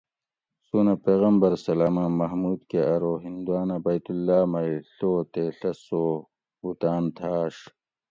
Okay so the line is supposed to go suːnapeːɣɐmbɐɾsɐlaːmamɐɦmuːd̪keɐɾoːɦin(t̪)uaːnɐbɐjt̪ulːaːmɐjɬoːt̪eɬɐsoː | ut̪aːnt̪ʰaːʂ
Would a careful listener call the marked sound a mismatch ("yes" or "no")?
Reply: yes